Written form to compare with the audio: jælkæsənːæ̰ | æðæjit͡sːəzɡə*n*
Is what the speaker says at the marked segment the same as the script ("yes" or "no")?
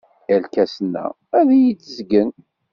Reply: yes